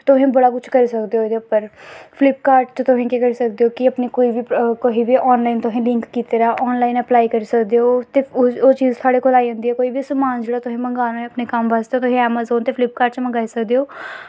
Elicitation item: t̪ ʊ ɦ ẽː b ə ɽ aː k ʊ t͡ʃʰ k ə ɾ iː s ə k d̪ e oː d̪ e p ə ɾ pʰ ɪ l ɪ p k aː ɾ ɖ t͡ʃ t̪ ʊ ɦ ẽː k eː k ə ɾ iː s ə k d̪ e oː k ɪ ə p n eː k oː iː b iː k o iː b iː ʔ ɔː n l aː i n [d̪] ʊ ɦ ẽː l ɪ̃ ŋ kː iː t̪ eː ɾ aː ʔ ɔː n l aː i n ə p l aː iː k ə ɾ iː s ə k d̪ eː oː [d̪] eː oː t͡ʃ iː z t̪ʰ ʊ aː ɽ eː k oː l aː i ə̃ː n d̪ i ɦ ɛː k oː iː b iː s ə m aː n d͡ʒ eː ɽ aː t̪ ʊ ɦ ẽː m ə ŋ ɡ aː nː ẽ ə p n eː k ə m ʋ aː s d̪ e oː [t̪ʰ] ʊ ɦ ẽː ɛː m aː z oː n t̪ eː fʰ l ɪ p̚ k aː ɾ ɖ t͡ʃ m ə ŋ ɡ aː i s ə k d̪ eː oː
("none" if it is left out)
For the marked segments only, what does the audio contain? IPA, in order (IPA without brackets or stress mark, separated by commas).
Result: t̪, t̪, t̪